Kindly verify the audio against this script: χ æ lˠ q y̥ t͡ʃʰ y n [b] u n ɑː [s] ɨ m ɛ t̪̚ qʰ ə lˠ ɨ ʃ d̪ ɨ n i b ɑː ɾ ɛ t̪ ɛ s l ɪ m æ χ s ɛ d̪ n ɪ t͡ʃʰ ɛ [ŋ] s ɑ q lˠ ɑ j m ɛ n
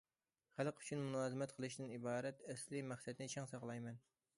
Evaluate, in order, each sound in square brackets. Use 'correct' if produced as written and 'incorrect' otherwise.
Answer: incorrect, incorrect, correct

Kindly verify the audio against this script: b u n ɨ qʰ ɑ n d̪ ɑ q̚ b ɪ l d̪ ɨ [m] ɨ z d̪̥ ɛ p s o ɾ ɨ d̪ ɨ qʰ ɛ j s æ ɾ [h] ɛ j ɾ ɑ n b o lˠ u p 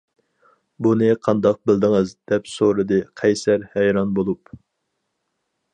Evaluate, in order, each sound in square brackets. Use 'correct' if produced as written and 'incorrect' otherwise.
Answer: incorrect, correct

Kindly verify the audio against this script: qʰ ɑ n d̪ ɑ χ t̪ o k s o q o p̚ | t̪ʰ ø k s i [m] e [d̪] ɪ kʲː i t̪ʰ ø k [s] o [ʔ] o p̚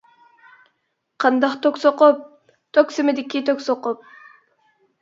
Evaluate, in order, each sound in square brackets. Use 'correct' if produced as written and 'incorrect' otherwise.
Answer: correct, correct, correct, incorrect

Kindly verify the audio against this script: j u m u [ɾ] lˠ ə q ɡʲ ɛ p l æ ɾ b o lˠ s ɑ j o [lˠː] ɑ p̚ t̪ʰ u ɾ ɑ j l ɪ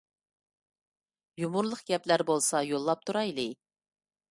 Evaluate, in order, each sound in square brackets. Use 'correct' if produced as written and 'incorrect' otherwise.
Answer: correct, correct

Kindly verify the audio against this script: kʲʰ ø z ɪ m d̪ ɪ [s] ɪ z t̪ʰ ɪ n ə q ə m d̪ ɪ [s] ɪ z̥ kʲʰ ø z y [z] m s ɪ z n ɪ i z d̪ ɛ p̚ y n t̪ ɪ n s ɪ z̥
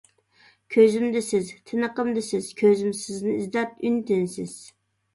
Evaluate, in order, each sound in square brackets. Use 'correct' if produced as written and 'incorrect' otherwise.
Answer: correct, correct, incorrect

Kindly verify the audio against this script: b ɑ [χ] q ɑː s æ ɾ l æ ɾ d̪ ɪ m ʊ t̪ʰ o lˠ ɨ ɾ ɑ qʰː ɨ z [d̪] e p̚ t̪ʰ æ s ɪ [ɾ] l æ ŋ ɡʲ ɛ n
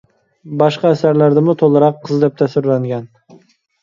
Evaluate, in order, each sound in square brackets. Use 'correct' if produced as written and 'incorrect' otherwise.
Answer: incorrect, correct, correct

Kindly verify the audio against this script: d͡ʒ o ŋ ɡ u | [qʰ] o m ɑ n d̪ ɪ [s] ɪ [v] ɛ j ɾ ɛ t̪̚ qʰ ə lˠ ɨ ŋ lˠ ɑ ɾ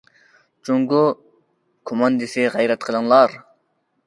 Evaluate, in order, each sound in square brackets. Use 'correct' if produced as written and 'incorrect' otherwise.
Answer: incorrect, correct, incorrect

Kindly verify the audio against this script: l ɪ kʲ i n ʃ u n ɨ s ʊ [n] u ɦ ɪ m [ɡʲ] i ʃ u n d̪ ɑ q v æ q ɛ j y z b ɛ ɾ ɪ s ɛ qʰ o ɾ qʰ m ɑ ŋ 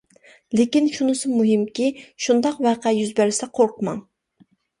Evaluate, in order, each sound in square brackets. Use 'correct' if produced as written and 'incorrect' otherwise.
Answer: incorrect, incorrect

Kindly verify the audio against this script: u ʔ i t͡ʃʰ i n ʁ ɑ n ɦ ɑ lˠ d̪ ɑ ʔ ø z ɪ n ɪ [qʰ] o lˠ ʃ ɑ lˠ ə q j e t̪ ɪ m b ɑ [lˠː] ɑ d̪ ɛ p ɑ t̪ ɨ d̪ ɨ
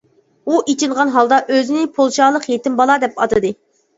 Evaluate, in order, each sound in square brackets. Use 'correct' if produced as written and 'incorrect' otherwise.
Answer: incorrect, incorrect

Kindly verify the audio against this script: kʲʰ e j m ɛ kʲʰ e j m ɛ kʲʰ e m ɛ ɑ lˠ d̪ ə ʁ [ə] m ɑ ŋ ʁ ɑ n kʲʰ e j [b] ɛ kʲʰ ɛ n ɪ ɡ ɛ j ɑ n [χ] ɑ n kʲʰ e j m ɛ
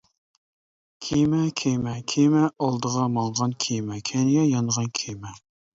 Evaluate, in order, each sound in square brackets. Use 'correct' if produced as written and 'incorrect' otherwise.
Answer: incorrect, incorrect, incorrect

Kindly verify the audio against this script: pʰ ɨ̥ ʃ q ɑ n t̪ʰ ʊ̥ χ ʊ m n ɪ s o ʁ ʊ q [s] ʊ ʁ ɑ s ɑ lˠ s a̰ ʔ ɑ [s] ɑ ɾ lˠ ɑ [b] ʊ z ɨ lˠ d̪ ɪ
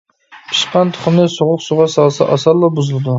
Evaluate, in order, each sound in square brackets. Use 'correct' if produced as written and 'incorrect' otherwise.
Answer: correct, correct, correct

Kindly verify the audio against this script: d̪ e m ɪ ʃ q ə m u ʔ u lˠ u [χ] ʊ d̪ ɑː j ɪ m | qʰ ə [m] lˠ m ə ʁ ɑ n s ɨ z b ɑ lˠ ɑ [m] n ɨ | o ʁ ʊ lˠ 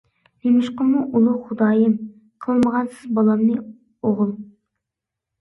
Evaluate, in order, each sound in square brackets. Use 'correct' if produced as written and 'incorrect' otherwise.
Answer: correct, incorrect, correct

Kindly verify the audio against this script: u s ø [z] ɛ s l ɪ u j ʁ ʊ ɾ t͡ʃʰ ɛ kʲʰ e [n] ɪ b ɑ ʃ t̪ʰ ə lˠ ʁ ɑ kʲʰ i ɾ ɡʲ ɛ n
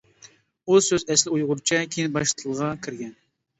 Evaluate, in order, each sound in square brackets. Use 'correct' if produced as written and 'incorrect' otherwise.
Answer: correct, correct

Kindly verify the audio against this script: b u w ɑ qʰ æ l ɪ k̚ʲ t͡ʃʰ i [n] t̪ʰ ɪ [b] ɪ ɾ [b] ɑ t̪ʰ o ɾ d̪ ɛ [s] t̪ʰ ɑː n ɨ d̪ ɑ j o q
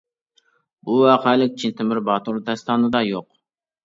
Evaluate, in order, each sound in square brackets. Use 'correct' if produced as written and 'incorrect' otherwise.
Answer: correct, incorrect, correct, correct

